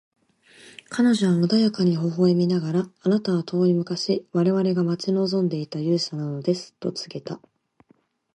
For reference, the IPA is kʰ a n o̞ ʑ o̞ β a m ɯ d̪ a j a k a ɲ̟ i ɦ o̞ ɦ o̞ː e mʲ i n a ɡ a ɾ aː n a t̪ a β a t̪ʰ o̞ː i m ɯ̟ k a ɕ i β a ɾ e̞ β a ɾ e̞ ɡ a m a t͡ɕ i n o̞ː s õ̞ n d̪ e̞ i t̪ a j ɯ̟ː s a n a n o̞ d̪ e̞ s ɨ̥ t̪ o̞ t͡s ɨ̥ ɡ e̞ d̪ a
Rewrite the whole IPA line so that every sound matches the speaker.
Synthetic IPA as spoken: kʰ a n o̞ ʑ o̞ β a m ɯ d̪ a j a k a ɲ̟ i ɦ o̞ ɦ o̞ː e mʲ i n a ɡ a ɾ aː n a t̪ a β a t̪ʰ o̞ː i m ɯ̟ k a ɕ i β a ɾ e̞ β a ɾ e̞ ɡ a m a t͡ɕ i n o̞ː z õ̞ n d̪ e̞ i t̪ a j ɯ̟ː s a n a n o̞ d̪ e̞ s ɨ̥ t̪ o̞ t͡s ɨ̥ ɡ e̞ t̪ a